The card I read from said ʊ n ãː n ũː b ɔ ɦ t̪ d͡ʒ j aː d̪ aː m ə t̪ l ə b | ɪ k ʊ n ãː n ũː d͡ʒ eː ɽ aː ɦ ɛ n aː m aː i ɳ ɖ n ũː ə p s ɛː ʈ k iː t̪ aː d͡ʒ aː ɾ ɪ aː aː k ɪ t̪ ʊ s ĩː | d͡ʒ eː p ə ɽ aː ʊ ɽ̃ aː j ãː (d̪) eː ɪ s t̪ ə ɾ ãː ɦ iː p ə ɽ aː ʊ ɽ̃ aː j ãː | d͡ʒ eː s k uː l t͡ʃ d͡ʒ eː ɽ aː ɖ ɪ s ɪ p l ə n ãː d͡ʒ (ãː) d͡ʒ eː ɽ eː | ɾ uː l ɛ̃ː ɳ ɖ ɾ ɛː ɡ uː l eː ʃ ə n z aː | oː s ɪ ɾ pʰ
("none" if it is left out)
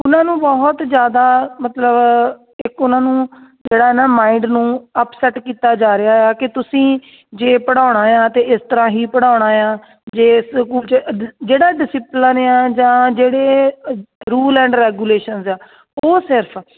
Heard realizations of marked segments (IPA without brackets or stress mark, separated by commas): t̪, ãː